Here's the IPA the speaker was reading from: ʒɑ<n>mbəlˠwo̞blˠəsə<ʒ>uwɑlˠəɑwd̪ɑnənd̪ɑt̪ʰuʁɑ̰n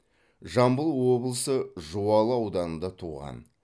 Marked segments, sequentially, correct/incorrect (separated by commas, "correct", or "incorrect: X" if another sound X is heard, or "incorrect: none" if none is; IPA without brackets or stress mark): incorrect: none, correct